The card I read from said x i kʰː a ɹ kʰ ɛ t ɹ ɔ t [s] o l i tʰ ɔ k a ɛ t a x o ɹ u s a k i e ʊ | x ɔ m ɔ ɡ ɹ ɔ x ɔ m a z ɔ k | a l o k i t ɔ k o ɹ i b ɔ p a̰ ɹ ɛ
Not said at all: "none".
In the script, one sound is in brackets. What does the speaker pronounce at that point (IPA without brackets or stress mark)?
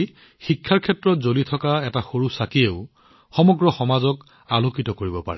z